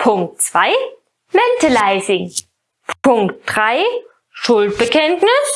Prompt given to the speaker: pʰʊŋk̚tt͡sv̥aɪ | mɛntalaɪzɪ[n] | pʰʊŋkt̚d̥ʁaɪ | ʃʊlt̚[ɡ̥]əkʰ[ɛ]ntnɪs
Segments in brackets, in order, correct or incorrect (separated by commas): incorrect, incorrect, correct